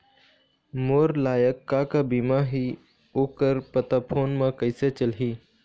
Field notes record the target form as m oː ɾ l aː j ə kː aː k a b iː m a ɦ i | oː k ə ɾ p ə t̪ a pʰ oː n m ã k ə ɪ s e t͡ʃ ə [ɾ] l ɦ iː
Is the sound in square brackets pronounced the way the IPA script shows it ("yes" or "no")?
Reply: no